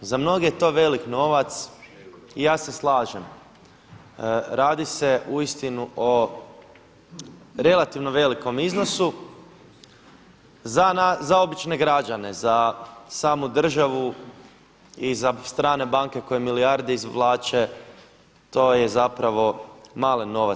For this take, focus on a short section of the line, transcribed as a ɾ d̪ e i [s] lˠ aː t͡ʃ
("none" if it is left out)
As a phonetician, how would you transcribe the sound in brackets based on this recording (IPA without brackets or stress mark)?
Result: z